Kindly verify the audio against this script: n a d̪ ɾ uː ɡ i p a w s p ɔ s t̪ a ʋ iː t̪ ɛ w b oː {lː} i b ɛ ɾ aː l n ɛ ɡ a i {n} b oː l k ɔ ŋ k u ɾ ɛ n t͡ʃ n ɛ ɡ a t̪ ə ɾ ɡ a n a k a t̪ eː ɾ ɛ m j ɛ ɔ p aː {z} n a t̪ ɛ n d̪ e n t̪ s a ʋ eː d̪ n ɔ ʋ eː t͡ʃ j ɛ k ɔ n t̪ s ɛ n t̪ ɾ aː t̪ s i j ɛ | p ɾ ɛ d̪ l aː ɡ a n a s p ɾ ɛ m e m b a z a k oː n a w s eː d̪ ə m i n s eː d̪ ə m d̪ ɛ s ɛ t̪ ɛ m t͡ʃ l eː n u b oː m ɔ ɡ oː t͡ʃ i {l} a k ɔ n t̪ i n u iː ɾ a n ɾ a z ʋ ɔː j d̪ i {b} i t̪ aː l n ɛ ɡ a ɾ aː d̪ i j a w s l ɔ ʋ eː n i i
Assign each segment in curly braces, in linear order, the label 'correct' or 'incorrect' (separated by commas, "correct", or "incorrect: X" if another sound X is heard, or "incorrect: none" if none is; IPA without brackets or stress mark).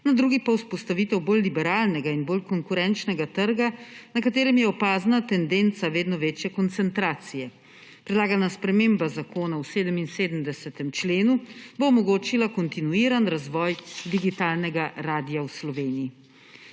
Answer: correct, correct, correct, correct, incorrect: ɡ